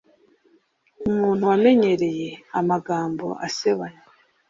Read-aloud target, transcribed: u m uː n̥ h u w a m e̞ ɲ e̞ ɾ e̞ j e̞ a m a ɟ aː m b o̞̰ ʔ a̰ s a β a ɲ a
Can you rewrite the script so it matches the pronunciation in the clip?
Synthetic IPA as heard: u m uː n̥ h u w a m e̞ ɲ e̞ ɾ e̞ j e̞ a m a ɡ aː m b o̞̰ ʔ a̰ s e β a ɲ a